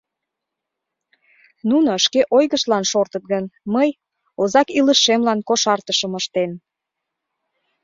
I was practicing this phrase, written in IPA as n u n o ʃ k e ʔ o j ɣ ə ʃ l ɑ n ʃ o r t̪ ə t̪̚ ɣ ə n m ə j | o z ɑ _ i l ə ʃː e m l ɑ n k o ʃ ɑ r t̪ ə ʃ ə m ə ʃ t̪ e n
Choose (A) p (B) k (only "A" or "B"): B